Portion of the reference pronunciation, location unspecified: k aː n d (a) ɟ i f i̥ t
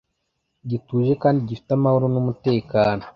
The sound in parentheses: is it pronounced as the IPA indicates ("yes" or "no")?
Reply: no